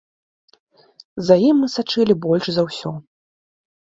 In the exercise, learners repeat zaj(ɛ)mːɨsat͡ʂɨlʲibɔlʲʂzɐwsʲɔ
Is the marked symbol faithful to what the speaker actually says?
no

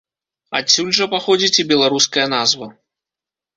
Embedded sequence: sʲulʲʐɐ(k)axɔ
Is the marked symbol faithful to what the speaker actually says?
no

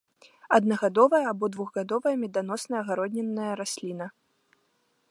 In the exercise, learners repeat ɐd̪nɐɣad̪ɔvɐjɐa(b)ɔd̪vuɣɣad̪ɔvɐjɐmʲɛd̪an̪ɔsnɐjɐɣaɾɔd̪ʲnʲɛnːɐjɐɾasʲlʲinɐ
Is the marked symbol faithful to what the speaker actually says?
yes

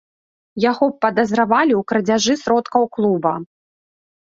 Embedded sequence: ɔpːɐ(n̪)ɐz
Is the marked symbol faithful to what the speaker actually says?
no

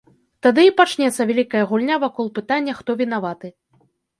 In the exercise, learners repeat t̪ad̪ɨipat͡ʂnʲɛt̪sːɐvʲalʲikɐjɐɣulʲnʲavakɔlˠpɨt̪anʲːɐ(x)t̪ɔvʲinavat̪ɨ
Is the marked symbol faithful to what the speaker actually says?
yes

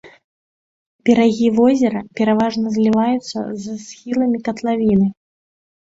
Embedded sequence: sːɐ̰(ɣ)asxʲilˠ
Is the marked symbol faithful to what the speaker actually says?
no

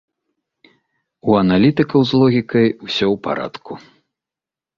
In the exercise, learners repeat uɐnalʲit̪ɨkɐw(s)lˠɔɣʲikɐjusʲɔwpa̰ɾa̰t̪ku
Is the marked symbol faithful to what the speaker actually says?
no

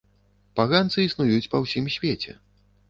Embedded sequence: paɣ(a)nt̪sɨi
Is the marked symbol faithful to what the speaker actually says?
yes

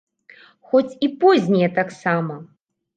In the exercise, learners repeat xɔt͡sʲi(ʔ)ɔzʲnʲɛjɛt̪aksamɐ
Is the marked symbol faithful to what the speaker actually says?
no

